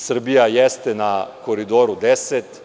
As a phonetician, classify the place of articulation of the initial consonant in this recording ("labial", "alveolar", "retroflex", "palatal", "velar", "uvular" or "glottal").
alveolar